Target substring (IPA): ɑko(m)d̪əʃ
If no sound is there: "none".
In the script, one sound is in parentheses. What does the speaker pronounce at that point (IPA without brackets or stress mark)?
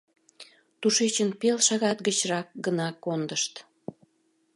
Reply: n